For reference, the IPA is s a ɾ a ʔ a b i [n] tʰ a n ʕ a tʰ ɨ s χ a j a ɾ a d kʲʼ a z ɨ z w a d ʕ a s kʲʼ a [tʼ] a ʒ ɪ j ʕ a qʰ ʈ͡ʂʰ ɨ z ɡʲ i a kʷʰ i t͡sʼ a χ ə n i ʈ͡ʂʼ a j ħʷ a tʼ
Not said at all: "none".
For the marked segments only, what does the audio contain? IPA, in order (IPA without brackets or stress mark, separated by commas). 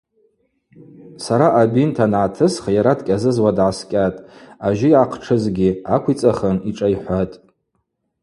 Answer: n, tʼ